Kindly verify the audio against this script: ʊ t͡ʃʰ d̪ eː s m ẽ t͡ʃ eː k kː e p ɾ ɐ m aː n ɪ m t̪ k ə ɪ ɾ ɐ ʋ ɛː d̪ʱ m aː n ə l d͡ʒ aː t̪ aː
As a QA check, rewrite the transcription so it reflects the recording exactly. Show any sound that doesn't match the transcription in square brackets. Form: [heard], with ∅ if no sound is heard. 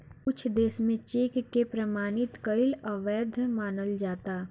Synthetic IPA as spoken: ʊ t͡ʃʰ d̪ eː s m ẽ t͡ʃ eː k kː e p ɾ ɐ m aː n ɪ [∅] t̪ k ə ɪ [l] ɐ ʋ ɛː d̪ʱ m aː n ə l d͡ʒ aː t̪ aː